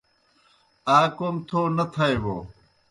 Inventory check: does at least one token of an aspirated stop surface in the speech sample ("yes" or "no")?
yes